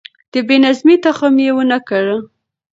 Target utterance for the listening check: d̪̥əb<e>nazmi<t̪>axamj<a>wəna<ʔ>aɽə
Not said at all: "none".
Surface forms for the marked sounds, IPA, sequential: e, t̪, e, k

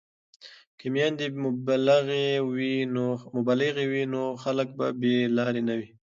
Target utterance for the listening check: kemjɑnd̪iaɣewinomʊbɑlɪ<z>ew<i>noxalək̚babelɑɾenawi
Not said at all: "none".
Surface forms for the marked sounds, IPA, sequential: ɣ, i

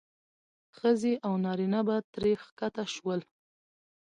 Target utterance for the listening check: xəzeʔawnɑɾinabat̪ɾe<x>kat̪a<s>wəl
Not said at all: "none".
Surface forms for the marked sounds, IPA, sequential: x, ʃ

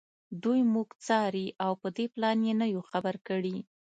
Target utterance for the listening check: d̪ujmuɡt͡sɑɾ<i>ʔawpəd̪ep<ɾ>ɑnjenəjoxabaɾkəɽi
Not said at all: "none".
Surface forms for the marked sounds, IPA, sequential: i, l

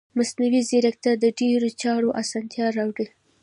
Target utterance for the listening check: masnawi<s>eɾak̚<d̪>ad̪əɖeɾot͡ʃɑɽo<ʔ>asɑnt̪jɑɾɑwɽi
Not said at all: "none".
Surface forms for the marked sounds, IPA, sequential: z, t̪, ʔ

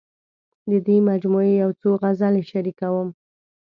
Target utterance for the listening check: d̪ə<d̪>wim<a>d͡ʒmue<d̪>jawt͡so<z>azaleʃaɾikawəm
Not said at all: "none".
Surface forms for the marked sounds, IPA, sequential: d̪, a, none, ɣ

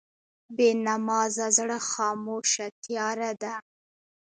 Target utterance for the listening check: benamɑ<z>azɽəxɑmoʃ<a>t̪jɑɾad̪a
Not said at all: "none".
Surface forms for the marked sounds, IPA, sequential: z, a

